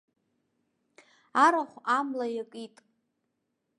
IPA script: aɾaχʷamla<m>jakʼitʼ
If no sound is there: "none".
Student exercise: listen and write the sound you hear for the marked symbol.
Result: none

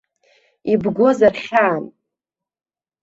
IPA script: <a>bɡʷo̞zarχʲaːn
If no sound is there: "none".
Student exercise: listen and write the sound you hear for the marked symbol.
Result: i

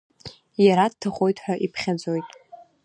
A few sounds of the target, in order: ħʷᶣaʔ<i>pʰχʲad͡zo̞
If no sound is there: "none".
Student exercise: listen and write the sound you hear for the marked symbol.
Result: i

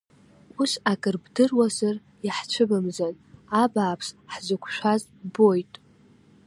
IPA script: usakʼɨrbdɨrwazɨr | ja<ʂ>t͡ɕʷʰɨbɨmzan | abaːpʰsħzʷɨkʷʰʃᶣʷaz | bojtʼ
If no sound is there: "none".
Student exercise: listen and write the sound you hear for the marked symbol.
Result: ħ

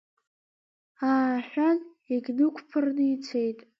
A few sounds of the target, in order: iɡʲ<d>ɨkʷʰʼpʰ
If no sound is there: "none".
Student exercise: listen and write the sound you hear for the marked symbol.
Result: n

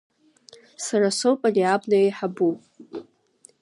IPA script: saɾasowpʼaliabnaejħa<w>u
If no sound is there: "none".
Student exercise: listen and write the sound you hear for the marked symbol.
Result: b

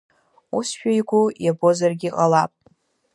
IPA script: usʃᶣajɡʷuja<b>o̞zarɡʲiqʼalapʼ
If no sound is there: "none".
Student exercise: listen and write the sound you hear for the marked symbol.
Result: b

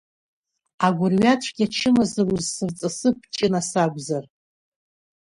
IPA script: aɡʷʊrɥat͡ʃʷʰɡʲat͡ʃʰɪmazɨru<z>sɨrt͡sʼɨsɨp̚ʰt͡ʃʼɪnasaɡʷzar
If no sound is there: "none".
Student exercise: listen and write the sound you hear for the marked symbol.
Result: z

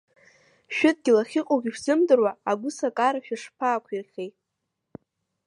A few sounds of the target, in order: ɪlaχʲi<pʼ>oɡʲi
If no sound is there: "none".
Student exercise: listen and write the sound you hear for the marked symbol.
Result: qʼ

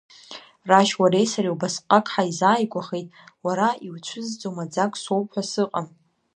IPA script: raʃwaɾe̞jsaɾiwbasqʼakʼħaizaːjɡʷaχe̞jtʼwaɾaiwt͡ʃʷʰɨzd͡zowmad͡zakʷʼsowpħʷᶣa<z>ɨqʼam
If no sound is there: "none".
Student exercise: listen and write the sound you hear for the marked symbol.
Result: s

